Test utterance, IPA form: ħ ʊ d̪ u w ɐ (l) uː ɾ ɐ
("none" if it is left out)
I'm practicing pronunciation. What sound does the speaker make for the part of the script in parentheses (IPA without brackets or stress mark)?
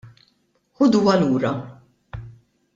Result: l